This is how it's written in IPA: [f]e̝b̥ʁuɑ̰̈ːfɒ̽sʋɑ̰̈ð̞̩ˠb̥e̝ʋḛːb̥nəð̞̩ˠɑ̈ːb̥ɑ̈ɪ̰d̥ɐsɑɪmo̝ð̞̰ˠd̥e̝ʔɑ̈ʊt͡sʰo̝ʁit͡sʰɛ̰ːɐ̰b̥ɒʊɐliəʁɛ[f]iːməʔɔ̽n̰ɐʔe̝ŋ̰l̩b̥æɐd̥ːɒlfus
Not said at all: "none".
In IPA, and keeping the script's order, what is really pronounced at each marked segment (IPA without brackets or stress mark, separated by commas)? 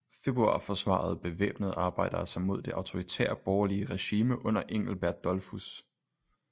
f, ɕ